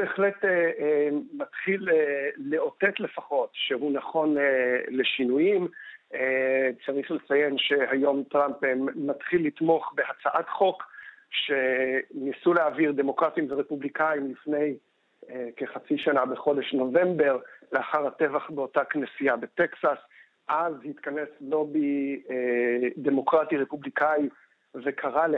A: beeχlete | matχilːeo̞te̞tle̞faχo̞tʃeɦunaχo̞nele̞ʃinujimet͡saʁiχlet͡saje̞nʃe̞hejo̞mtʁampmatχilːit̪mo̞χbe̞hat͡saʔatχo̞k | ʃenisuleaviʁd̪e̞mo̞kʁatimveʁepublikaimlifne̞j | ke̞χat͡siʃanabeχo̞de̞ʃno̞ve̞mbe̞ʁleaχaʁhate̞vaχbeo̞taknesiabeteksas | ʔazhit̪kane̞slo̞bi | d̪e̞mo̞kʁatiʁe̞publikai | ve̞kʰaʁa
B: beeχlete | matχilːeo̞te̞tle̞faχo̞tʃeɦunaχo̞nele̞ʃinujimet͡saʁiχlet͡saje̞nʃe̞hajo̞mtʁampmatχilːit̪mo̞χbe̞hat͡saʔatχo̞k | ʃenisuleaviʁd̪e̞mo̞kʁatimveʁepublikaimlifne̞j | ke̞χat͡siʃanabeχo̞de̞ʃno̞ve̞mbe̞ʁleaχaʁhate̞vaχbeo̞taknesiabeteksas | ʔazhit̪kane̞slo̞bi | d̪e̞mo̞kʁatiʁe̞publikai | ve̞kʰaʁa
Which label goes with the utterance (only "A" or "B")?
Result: B